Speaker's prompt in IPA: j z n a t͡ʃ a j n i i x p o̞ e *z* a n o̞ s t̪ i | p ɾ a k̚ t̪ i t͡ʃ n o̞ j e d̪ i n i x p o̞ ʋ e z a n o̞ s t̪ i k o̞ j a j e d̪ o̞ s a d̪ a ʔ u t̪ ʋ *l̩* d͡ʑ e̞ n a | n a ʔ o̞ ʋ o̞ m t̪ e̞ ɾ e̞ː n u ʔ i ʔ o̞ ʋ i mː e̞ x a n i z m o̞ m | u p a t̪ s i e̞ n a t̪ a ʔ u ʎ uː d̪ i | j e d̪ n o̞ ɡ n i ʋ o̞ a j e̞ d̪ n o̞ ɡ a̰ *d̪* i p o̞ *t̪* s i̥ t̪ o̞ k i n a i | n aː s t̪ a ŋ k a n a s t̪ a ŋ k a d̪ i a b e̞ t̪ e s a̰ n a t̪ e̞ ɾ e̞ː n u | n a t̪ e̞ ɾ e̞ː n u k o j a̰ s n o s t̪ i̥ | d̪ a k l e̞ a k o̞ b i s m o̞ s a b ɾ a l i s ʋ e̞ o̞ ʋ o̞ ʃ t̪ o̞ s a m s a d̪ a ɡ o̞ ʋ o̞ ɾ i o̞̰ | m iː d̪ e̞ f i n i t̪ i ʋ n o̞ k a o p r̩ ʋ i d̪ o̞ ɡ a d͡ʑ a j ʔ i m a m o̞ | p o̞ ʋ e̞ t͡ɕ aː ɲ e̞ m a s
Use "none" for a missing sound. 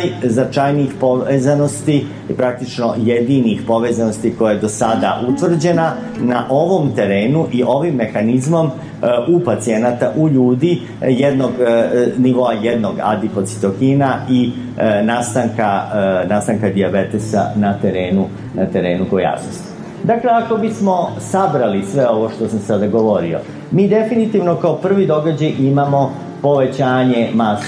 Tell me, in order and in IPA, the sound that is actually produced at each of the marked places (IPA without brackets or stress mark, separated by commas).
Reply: z, r̩, d̪, t̪